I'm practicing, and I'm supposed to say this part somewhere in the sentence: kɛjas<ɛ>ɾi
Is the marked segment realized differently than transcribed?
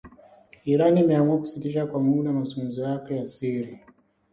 yes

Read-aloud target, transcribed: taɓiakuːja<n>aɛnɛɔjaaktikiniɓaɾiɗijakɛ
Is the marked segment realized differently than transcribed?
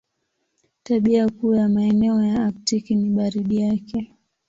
yes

